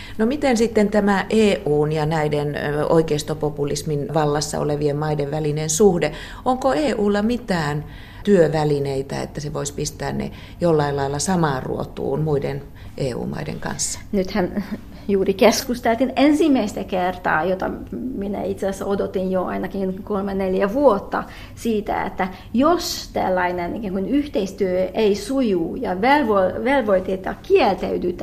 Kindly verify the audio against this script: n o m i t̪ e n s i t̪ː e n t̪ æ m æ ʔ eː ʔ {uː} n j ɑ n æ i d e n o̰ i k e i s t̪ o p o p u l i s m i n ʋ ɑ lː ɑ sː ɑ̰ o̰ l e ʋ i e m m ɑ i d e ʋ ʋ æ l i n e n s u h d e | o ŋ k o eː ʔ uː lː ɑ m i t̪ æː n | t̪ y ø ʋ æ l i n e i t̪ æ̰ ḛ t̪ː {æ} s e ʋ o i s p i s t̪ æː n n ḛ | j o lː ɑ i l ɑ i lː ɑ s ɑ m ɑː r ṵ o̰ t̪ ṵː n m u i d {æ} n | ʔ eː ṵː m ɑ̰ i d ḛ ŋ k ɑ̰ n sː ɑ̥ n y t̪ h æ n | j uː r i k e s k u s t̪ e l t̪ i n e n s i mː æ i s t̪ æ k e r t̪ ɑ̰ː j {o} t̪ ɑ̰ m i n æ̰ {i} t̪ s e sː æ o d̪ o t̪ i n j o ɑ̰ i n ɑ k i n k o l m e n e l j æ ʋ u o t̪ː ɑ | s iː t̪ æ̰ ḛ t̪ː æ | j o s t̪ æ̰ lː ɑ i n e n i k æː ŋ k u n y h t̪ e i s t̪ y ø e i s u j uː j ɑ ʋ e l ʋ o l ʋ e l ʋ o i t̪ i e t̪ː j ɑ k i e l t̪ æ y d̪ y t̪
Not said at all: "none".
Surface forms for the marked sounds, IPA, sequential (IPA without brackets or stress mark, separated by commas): uː, æ, e, o, i